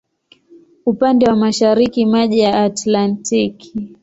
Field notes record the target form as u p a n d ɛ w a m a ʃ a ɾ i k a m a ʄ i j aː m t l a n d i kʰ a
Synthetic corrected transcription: u p a n d ɛ w a m a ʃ a ɾ i k i m a ʄ i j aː t l a n t i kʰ i